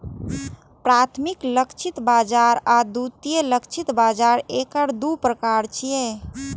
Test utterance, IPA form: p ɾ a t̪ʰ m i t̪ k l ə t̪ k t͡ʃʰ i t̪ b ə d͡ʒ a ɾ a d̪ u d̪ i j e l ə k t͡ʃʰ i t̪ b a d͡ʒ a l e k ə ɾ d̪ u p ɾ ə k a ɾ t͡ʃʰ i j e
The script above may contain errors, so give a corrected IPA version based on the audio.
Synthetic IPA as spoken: p ɾ a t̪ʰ m i k l ə k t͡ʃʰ i t̪ b a d͡ʒ a ɾ a d̪ u t̪ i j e l ə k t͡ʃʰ i t̪ b a d͡ʒ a ɾ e k ə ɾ d̪ u p ɾ ə k a ɾ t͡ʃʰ i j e